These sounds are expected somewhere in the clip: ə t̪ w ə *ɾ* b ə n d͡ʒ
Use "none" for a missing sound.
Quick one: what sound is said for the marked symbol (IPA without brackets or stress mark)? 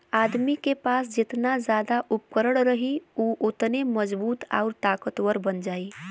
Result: ɾ